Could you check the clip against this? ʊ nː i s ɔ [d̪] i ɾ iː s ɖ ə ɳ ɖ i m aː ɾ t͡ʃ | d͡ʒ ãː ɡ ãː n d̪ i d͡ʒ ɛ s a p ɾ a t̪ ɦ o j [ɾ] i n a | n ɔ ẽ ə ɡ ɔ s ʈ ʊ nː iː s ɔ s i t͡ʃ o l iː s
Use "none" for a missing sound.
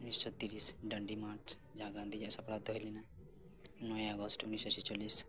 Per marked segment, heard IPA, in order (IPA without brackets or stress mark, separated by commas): t̪, l